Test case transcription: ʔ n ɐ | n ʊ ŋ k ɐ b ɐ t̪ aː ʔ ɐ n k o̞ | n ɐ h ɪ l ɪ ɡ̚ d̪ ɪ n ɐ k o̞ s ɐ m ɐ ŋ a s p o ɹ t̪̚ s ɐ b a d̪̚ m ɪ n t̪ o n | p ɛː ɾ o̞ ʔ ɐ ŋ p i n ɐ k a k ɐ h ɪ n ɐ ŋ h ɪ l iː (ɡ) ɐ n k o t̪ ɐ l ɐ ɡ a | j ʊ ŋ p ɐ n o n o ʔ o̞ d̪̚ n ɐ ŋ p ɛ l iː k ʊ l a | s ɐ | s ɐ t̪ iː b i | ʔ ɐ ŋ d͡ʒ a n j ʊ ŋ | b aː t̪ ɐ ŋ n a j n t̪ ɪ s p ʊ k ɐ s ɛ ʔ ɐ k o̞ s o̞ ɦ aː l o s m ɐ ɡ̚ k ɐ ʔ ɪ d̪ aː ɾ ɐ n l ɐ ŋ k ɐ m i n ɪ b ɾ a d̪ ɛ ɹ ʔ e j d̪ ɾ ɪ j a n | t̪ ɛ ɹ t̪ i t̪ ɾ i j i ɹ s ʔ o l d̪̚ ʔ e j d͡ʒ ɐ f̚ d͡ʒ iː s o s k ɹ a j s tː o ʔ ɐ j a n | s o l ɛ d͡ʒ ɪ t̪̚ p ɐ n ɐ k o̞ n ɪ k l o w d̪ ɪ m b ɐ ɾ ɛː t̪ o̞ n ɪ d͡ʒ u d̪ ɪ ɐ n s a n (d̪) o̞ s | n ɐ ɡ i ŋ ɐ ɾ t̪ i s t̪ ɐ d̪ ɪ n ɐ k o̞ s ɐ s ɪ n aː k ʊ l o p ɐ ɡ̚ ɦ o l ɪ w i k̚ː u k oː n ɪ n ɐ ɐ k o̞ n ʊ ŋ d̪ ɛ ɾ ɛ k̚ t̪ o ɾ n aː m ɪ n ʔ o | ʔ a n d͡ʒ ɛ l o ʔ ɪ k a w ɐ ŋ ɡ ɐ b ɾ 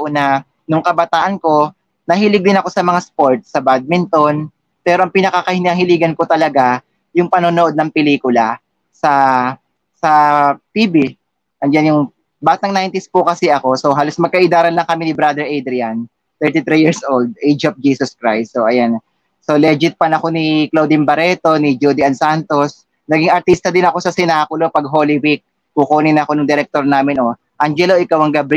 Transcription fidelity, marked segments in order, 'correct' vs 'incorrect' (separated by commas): correct, incorrect